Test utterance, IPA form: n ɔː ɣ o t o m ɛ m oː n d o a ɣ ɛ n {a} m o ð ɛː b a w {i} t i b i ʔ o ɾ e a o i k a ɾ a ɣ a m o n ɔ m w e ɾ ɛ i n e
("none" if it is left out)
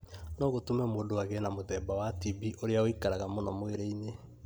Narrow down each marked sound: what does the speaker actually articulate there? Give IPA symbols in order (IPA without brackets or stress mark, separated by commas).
a, a